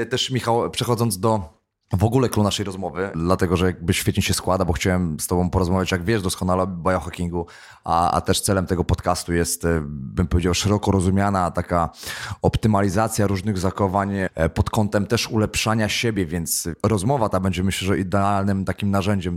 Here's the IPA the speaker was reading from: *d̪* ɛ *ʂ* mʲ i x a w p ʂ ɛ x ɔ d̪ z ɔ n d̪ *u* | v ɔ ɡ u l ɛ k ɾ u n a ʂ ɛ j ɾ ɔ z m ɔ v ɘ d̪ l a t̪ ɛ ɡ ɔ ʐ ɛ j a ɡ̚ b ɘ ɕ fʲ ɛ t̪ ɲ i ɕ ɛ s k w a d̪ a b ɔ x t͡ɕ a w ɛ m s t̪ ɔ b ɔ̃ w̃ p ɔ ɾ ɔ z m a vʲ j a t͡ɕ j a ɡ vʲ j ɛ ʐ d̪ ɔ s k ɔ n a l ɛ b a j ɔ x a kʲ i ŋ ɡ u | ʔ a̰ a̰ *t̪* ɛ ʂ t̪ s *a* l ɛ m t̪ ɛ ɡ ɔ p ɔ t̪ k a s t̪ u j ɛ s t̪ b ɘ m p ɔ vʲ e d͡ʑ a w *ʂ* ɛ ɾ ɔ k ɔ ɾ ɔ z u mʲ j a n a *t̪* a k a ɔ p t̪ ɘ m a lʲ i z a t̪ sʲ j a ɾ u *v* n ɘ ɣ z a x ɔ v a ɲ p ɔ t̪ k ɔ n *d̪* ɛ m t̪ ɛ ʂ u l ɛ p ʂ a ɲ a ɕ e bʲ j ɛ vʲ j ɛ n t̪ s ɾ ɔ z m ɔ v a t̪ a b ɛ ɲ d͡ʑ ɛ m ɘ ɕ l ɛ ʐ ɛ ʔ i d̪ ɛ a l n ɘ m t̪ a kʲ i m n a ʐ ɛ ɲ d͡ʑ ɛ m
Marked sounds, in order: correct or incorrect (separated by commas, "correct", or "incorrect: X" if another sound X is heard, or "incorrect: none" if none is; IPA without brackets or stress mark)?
incorrect: t̪, correct, incorrect: ɔ, correct, incorrect: ɛ, correct, correct, incorrect: ʐ, incorrect: t̪